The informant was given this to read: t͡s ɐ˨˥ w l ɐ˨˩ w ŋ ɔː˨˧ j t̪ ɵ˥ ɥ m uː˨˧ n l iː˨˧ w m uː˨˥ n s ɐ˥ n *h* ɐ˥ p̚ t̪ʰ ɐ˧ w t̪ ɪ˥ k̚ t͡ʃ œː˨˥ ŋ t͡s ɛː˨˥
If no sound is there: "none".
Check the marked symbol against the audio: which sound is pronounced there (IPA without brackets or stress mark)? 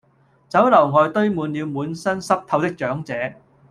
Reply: s